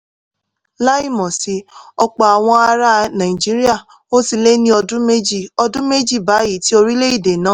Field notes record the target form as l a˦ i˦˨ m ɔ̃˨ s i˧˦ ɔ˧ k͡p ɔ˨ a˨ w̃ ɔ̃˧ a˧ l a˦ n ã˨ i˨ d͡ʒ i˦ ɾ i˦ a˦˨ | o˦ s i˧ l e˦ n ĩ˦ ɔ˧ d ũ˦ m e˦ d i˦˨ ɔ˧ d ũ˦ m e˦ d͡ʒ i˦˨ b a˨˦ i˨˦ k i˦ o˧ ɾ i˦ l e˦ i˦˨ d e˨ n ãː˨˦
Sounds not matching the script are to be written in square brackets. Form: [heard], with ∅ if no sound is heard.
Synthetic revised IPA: l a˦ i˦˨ m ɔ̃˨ s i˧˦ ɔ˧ k͡p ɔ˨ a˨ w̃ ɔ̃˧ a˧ [ɾ] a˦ n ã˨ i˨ d͡ʒ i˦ ɾ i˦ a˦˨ | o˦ s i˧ l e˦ n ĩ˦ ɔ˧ d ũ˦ m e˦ [d͡ʒ] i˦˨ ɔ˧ d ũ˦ m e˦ d͡ʒ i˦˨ b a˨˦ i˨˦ [t] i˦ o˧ ɾ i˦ l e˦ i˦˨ d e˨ n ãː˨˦